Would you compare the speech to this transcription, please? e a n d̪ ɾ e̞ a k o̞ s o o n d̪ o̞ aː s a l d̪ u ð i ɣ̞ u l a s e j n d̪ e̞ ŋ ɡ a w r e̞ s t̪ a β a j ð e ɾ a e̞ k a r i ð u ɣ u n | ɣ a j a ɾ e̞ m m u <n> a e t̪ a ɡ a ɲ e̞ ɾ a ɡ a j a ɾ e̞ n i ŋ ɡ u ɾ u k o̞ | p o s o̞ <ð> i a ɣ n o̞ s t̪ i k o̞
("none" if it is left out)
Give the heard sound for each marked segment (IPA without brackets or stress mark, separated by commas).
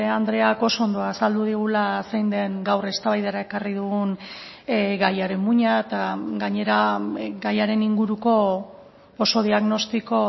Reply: ɲ, ð